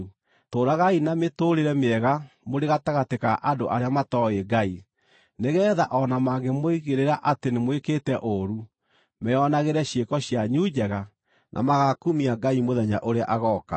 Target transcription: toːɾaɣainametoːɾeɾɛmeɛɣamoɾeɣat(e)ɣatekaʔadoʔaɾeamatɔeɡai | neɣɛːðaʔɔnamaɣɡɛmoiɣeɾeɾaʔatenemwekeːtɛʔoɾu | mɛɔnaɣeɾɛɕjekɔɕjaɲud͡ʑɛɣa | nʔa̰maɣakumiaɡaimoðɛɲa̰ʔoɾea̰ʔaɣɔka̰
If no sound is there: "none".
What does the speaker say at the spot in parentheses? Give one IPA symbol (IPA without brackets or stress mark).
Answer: a